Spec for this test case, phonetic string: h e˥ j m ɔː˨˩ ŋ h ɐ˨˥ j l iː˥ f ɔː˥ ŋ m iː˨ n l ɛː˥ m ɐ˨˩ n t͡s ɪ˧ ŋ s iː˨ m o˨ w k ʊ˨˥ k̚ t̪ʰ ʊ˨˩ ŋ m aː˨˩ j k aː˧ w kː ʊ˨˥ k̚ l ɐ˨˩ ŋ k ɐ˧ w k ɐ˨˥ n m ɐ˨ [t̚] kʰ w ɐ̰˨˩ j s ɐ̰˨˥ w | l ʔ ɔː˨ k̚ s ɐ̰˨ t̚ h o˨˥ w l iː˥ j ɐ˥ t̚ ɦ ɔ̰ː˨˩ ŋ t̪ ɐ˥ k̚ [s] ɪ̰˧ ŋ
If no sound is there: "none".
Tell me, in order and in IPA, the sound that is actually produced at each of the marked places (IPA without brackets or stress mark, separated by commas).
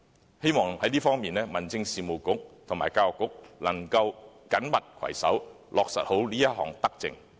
t̚, t͡s